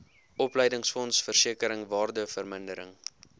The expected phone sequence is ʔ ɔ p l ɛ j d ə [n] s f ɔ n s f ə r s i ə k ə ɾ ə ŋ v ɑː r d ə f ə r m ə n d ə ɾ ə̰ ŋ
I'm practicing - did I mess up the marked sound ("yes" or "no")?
yes